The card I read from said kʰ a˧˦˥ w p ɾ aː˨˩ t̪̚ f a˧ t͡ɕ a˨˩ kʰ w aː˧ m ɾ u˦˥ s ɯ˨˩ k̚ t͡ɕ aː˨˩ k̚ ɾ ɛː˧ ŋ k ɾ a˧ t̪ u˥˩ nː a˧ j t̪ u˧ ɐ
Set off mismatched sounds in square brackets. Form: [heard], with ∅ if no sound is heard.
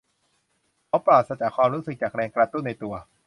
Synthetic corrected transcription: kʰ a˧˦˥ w p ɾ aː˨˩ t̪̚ [s] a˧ t͡ɕ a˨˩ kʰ w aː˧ m ɾ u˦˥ s ɯ˨˩ k̚ t͡ɕ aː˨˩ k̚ ɾ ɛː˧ ŋ k ɾ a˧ t̪ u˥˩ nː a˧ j t̪ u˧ ɐ